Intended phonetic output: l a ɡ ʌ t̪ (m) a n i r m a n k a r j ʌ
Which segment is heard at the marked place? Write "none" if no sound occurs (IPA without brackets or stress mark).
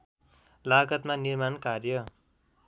m